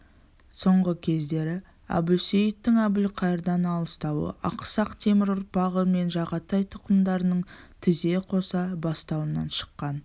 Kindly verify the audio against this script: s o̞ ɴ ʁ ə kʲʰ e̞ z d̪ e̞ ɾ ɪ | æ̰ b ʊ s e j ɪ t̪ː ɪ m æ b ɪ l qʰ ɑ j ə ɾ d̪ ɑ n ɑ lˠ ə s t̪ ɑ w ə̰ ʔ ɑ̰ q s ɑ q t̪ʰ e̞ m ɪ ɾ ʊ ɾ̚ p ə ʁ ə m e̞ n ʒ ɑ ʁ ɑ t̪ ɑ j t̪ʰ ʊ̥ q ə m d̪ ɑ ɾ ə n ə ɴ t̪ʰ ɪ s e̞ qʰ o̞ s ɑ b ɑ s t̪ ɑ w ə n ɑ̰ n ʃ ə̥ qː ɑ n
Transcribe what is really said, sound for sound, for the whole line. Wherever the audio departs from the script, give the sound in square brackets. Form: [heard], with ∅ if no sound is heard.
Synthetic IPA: s o̞ ɴ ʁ ə kʲʰ e̞ z d̪ e̞ ɾ ɪ | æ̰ b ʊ s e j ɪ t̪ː ɪ [ŋ] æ b ɪ l qʰ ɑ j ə ɾ d̪ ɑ n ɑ lˠ ə s t̪ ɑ w ə̰ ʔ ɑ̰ q s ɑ q t̪ʰ e̞ m ɪ ɾ ʊ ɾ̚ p [ɑ] ʁ ə m e̞ n ʒ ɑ ʁ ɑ t̪ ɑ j t̪ʰ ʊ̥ q ə m d̪ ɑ ɾ ə n ə ɴ t̪ʰ ɪ [z] e̞ qʰ o̞ s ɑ b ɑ s t̪ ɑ w ə n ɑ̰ n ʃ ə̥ qː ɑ n